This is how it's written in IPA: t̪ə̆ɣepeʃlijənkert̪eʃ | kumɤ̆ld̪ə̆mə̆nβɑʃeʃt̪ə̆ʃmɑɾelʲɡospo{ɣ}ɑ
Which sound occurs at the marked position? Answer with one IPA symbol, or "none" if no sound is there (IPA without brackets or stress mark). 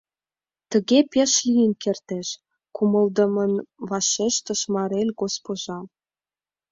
ʒ